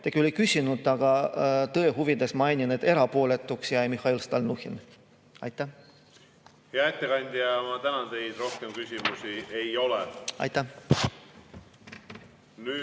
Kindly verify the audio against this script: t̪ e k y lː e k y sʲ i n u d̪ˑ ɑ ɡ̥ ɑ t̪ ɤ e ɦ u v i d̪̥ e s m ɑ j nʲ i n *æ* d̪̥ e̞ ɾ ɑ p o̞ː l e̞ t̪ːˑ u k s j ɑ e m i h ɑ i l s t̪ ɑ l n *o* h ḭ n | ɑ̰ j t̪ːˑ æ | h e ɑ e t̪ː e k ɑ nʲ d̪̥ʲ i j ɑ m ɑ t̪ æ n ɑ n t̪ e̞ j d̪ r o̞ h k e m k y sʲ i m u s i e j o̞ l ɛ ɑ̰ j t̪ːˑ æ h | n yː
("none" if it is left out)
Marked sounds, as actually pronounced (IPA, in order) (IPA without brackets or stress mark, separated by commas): e, u